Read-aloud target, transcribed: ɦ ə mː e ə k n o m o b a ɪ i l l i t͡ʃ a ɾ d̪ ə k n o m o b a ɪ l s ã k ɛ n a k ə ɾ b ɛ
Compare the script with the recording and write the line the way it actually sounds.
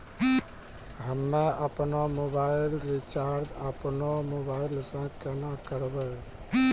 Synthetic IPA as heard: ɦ ə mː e ə p n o m o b a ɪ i l ɾ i t͡ʃ a ɾ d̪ ə p n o m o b a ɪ l s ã k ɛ n a k ə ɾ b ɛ